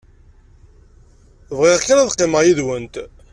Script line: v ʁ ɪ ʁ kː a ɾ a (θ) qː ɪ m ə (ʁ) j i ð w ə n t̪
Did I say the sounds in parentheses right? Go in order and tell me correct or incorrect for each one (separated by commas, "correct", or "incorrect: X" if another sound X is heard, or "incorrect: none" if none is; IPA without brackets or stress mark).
incorrect: ð, correct